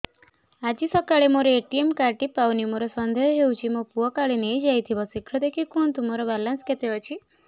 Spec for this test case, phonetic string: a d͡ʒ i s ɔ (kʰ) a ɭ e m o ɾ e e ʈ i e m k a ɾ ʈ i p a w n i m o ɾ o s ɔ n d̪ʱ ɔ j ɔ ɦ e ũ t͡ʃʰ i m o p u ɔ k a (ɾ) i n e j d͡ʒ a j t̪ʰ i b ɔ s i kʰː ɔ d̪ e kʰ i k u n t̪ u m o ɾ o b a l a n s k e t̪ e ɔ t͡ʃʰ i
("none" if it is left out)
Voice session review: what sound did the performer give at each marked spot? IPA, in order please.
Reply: k, ɭ

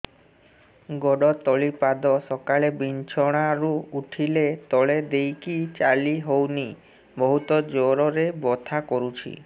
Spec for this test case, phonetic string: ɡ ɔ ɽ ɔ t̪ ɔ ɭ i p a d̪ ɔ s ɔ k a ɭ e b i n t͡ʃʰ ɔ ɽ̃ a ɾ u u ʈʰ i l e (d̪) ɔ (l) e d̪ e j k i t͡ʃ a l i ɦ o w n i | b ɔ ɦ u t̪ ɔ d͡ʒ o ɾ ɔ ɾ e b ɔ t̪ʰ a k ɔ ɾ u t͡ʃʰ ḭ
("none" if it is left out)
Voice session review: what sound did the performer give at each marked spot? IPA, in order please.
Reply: t̪, ɭ

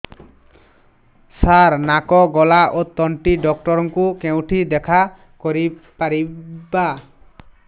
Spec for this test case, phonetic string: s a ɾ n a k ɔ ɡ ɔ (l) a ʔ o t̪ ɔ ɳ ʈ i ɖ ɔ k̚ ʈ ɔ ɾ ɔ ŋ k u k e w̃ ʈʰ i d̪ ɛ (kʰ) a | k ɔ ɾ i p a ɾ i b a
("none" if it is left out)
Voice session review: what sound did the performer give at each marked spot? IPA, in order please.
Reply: l, kʰ

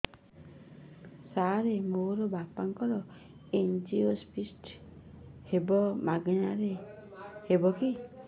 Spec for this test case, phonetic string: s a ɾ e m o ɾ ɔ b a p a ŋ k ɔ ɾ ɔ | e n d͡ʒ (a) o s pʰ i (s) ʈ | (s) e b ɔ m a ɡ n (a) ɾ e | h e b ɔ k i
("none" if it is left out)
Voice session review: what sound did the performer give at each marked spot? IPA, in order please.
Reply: i, s, h, a

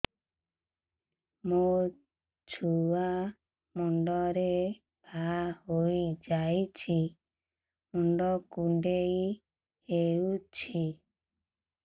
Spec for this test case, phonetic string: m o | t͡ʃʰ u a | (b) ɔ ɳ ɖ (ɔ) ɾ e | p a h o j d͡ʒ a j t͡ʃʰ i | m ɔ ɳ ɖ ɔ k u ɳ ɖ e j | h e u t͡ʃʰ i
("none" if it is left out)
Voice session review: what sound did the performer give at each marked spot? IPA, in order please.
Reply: m, ɔ

